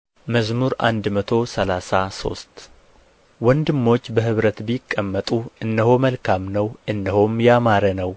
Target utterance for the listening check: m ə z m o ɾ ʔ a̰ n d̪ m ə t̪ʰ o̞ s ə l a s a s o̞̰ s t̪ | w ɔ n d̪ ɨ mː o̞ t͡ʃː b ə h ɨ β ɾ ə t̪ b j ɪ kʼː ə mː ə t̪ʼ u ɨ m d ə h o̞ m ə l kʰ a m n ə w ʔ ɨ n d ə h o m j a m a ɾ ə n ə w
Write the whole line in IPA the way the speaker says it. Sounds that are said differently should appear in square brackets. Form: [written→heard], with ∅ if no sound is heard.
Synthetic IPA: m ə z m [o→u] ɾ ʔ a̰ n d̪ m ə t̪ʰ o̞ s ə l a s a s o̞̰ s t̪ | w ɔ n d̪ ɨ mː o̞ t͡ʃː b ə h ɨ β ɾ ə t̪ b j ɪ kʼː ə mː ə t̪ʼ u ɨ [m→n] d ə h o̞ m ə l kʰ a m n ə w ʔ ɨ n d ə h o m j a m a ɾ ə n ə w